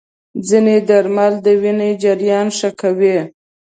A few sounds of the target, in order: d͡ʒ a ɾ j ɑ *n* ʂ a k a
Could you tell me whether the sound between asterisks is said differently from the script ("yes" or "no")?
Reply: no